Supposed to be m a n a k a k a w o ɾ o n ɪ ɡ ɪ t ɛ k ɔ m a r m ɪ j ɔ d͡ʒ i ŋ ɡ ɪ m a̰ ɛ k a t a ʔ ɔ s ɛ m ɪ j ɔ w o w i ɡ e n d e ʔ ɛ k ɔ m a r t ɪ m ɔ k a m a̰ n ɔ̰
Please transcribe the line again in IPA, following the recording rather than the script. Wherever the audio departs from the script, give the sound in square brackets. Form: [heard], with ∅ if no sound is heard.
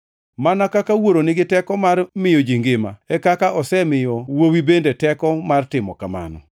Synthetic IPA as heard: m a n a k a k a w o ɾ o n ɪ ɡ ɪ t ɛ k ɔ m a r m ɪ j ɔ d͡ʒ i ŋ ɡ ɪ m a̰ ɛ k a [k] a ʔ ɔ s ɛ m ɪ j ɔ w o w i [b] e n d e [t] ɛ k ɔ m a r t ɪ m ɔ k a m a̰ n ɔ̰